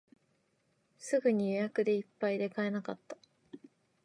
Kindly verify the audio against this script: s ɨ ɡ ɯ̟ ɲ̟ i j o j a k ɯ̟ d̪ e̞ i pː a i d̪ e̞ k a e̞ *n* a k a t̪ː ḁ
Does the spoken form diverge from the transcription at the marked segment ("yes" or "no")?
no